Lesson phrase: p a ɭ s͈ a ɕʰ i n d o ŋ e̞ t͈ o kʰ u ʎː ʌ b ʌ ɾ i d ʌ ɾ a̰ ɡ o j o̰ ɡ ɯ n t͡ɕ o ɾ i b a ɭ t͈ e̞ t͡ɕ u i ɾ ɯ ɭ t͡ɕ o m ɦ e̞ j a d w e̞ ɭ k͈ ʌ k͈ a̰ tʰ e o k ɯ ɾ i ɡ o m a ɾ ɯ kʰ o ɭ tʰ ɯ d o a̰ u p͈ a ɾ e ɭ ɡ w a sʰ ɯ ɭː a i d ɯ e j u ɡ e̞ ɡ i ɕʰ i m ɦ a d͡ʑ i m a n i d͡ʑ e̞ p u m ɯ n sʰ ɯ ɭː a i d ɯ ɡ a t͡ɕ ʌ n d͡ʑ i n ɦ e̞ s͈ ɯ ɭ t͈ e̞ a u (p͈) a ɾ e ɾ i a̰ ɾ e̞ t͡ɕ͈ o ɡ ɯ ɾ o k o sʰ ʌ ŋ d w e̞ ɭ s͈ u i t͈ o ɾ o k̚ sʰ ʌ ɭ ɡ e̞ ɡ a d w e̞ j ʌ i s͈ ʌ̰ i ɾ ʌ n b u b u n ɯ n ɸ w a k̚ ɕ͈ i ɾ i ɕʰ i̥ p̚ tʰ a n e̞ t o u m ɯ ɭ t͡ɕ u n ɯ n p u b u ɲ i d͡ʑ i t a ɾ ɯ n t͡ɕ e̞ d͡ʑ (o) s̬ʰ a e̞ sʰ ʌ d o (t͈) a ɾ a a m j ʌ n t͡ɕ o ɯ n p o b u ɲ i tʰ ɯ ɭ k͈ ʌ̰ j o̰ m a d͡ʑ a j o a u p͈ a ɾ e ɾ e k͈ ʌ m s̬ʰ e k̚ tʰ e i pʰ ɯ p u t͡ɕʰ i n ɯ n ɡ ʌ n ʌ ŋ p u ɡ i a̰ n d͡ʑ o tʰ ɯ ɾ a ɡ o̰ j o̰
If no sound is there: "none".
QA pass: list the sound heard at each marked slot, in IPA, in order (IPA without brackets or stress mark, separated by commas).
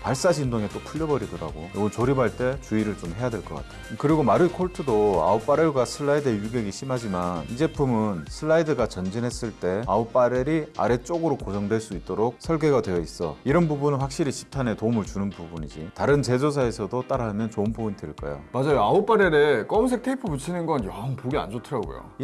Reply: p͈, o, t͈